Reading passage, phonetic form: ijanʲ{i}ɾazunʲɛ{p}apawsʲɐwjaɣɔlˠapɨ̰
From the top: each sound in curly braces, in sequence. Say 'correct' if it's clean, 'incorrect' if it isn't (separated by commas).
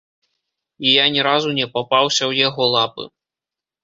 incorrect, correct